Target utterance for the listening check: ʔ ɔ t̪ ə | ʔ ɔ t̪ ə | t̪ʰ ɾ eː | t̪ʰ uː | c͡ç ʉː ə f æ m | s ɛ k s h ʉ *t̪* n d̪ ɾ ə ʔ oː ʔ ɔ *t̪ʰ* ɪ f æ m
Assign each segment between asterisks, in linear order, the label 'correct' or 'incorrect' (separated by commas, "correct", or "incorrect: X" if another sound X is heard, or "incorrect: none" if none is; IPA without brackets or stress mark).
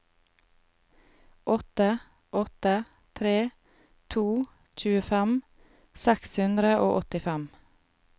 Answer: incorrect: none, incorrect: t̪